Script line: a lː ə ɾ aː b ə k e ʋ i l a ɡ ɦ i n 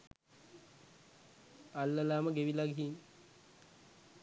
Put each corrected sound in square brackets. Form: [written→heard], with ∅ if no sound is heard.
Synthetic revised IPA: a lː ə [ɾ→l] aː [b→m] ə [k→ɡ] e ʋ i l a ɡ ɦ i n